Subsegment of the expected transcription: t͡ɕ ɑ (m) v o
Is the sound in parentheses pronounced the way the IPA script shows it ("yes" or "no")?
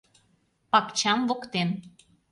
yes